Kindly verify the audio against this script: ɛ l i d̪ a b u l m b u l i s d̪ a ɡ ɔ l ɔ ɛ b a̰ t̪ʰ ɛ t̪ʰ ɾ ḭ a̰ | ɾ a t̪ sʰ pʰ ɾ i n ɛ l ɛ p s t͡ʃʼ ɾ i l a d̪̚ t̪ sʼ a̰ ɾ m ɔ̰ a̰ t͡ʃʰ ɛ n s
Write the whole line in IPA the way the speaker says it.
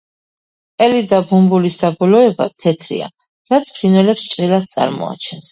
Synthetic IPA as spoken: ɛ l i d̪ a b u m b u l i s d̪ a b ɔ l ɔ ɛ b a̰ t̪ʰ ɛ t̪ʰ ɾ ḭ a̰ | ɾ a t̪ sʰ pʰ ɾ i n ɛ l ɛ p s t͡ʃʼ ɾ i l a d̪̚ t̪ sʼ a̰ ɾ m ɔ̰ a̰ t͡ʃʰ ɛ n s

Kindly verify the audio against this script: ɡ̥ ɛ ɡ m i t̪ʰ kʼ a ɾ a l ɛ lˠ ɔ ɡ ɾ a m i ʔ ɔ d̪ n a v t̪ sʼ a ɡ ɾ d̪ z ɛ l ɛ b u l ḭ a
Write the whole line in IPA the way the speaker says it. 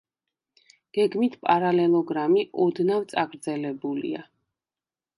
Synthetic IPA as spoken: ɡ̥ ɛ ɡ m i t̪ʰ pʼ a ɾ a l ɛ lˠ ɔ ɡ ɾ a m i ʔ ɔ d̪ n a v t̪ sʼ a ɡ ɾ d̪ z ɛ l ɛ b u l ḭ a

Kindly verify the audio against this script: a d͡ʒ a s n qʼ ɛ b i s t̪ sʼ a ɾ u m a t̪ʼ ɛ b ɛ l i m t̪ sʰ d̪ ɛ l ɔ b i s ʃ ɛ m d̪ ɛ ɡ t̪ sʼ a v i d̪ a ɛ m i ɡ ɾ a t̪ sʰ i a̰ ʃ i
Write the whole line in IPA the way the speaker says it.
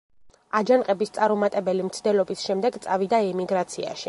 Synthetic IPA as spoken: a d͡ʒ a n qʼ ɛ b i s t̪ sʼ a ɾ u m a t̪ʼ ɛ b ɛ l i m t̪ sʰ d̪ ɛ l ɔ b i s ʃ ɛ m d̪ ɛ ɡ t̪ sʼ a v i d̪ a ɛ m i ɡ ɾ a t̪ sʰ i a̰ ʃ i

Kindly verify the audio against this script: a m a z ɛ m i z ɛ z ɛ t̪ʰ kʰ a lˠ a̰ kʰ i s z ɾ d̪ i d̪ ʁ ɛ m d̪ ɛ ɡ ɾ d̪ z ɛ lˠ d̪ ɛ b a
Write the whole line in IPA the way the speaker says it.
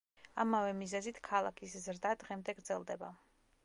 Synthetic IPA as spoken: a m a v ɛ m i z ɛ z i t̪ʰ kʰ a lˠ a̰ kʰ i s z ɾ d̪ a d̪ ʁ ɛ m d̪ ɛ ɡ ɾ d̪ z ɛ lˠ d̪ ɛ b a

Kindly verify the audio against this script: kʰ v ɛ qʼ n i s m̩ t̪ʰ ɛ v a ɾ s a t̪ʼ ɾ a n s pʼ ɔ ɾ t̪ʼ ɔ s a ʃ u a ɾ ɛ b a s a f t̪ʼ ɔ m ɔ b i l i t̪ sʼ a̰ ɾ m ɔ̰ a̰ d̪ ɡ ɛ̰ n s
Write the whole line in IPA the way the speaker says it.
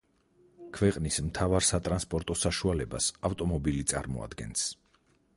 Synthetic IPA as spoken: kʰ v ɛ qʼ n i s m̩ t̪ʰ a v a ɾ s a t̪ʼ ɾ a n s pʼ ɔ ɾ t̪ʼ ɔ s a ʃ u a l ɛ b a s a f t̪ʼ ɔ m ɔ b i l i t̪ sʼ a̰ ɾ m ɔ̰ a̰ d̪ ɡ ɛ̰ n s

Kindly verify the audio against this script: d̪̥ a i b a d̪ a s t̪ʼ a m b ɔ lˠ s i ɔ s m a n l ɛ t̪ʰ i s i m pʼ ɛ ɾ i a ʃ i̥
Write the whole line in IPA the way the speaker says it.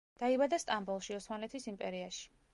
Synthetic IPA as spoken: d̪̥ a i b a d̪ a s t̪ʼ a m b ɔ lˠ ʃ i ɔ s m a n l ɛ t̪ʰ i s i m pʼ ɛ ɾ i a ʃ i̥

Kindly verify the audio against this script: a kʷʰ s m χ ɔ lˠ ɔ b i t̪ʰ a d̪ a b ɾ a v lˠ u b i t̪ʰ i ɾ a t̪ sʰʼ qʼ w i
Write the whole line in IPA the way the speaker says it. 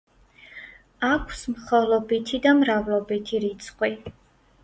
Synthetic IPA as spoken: a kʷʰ s m χ ɔ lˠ ɔ b i t̪ʰ i d̪ a m ɾ a v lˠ ɔ b i t̪ʰ i ɾ i t̪ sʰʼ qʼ w i

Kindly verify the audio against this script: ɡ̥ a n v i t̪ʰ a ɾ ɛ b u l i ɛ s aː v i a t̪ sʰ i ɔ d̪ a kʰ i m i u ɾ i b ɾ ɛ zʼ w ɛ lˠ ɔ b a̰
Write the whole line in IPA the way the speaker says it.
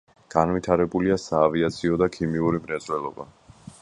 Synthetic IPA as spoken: ɡ̥ a n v i t̪ʰ a ɾ ɛ b u l i a s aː v i a t̪ sʰ i ɔ d̪ a kʰ i m i u ɾ i m ɾ ɛ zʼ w ɛ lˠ ɔ b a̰

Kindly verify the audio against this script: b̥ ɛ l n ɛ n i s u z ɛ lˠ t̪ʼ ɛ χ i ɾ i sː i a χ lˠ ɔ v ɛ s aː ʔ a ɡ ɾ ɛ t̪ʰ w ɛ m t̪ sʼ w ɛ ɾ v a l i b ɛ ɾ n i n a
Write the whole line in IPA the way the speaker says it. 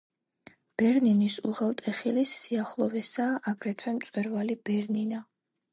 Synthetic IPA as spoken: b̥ ɛ ɾ n i n i s u ʁ ɛ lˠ t̪ʼ ɛ χ i l i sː i a χ lˠ ɔ v ɛ s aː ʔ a ɡ ɾ ɛ t̪ʰ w ɛ m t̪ sʼ w ɛ ɾ v a l i b ɛ ɾ n i n a

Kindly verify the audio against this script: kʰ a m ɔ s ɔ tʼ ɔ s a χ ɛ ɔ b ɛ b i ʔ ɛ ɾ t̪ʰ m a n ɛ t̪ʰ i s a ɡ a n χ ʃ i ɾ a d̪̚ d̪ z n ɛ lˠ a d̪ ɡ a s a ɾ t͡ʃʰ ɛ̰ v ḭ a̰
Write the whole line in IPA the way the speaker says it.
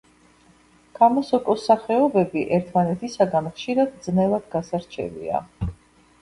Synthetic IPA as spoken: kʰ a m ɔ s ɔ kʼ ɔ s a χ ɛ ɔ b ɛ b i ʔ ɛ ɾ t̪ʰ m a n ɛ t̪ʰ i s a ɡ a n χ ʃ i ɾ a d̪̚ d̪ z n ɛ lˠ a d̪ ɡ a s a ɾ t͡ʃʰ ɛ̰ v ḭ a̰

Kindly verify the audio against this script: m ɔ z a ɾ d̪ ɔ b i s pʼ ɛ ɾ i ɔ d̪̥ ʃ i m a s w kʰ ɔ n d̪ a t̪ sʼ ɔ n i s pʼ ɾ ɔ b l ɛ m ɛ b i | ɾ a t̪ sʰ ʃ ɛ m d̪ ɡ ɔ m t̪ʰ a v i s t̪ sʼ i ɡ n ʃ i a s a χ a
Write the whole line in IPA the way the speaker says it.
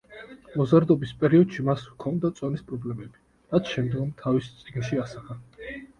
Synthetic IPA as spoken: m ɔ z a ɾ d̪ ɔ b i s pʼ ɛ ɾ i ɔ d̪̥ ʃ i m a s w kʰ ɔ n d̪ a t̪ sʼ ɔ n i s pʼ ɾ ɔ b l ɛ m ɛ b i | ɾ a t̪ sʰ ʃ ɛ m d̪ ɡ ɔ m t̪ʰ a v i s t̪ sʼ i ɡ n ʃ i a s a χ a

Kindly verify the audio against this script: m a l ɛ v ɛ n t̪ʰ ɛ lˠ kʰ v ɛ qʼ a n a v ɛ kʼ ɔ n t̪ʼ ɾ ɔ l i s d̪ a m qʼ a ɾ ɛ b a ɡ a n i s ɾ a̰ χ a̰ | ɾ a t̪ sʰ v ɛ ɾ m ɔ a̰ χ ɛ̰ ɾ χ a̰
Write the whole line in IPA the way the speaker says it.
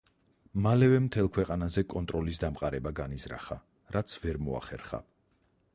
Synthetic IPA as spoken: m a l ɛ v ɛ m t̪ʰ ɛ lˠ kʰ w ɛ qʼ a n a z ɛ kʼ ɔ n t̪ʼ ɾ ɔ l i s d̪ a m qʼ a ɾ ɛ b a ɡ a n i z ɾ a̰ χ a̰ | ɾ a t̪ sʰ v ɛ ɾ m ɔ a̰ χ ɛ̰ ɾ χ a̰

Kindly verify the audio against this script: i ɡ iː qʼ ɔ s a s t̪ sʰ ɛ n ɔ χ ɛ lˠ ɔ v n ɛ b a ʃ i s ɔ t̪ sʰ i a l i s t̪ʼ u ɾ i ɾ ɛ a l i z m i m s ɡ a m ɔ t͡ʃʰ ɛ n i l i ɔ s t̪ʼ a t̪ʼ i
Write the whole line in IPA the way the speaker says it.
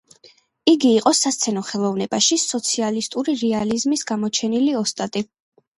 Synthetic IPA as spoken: i ɡ iː qʼ ɔ s a s t̪ sʰ ɛ n ɔ χ ɛ lˠ ɔ v n ɛ b a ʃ i s ɔ t̪ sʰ i a l i s t̪ʼ u ɾ i ɾ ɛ a l i z m i s ɡ a m ɔ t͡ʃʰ ɛ n i l i ɔ s t̪ʼ a t̪ʼ i

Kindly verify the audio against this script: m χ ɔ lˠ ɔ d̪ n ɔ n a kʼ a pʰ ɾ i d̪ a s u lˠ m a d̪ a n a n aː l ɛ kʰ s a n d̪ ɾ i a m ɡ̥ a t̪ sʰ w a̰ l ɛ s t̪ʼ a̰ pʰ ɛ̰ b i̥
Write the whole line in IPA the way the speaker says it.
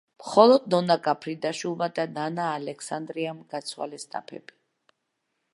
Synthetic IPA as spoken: m χ ɔ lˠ ɔ d̪ n ɔ n a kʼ a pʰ ɾ i d̪ a ʃ u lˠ m a d̪ a n a n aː l ɛ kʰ s a n d̪ ɾ i a m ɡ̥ a t̪ sʰ w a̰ l ɛ s t̪ʼ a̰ pʰ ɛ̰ b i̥

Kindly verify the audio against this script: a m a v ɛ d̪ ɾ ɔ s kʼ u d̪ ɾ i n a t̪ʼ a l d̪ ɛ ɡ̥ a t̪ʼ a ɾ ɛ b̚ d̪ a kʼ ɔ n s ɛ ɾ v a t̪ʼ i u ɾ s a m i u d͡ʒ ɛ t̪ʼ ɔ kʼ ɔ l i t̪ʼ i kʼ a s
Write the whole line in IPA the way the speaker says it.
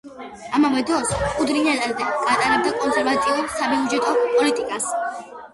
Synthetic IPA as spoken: a m a v ɛ d̪ ɾ ɔ s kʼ u d̪ ɾ i n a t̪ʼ a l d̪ ɛ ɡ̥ a t̪ʼ a ɾ ɛ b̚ d̪ a kʼ ɔ n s ɛ ɾ v a t̪ʼ i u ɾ s a b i u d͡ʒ ɛ t̪ʼ ɔ pʼ ɔ l i t̪ʼ i kʼ a s

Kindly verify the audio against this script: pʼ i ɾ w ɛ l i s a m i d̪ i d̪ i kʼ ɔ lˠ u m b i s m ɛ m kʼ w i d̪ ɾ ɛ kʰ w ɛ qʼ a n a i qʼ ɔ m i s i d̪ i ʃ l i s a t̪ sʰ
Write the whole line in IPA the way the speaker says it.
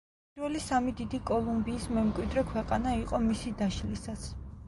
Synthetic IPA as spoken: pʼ i ɾ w ɛ l i s a m i d̪ i d̪ i kʼ ɔ lˠ u m b iː s m ɛ m kʼ w i d̪ ɾ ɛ kʰ w ɛ qʼ a n a i qʼ ɔ m i s i d̪ a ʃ l i s a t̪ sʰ

